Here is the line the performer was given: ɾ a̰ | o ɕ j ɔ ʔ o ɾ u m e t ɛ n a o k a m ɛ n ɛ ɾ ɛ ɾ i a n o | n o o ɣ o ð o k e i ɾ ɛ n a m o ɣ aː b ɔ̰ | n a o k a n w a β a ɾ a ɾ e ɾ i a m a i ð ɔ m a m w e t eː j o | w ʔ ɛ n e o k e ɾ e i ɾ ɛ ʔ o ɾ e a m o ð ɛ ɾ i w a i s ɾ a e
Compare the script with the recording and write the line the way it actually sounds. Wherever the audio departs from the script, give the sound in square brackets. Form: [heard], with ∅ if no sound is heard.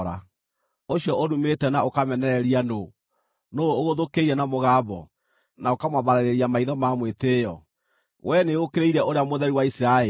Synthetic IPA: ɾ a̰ | o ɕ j ɔ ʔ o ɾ u m e t ɛ n a o k a m ɛ n ɛ ɾ ɛ ɾ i a n o | n o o ɣ o ð o k e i ɾ ɛ n a m o ɣ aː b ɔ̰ | n a o k a [m] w a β a ɾ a ɾ e ɾ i a m a i ð ɔ m a m w e t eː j [ɔ] | w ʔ ɛ n e o k e ɾ e i ɾ ɛ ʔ o ɾ e a m o ð ɛ ɾ i w a i s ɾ a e